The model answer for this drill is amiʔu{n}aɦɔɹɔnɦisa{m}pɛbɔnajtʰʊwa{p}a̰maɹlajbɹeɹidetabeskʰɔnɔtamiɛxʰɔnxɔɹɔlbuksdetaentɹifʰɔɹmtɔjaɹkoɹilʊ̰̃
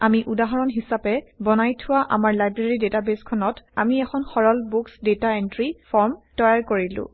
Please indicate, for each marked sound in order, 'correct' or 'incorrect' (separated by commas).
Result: incorrect, incorrect, incorrect